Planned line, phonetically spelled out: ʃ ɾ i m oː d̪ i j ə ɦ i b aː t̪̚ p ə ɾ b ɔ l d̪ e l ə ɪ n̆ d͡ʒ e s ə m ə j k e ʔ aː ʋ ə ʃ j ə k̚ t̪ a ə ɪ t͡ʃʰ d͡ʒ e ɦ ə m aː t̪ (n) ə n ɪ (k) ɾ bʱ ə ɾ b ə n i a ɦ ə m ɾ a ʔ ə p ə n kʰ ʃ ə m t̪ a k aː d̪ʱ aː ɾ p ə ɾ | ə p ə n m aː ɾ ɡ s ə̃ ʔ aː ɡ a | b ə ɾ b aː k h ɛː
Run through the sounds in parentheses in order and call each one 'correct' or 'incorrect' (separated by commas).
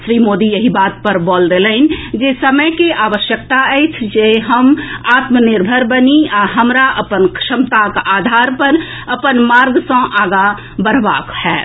incorrect, incorrect